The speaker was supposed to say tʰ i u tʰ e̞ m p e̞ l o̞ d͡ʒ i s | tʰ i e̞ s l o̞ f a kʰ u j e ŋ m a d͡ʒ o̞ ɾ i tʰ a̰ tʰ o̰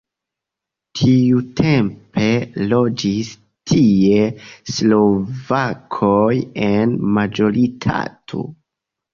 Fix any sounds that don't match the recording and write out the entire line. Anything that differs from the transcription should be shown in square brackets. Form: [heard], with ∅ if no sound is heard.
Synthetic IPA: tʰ i u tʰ e̞ m p e̞ l o̞ d͡ʒ i s | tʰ i e̞ s l o̞ [v] a kʰ [o] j e [n] m a d͡ʒ o̞ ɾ i tʰ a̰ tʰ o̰